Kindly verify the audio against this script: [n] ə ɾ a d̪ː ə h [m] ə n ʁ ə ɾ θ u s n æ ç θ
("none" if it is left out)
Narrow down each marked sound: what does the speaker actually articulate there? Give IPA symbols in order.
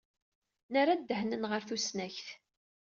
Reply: n, n

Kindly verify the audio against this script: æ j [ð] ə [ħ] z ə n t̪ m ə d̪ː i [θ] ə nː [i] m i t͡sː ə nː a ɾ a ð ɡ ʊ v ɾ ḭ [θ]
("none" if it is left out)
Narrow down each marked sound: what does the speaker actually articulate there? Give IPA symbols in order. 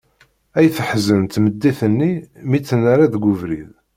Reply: θ, ħ, θ, i, ð

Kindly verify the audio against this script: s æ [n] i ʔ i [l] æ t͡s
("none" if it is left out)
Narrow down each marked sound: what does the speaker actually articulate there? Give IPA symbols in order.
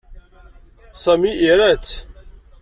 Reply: m, ɾ

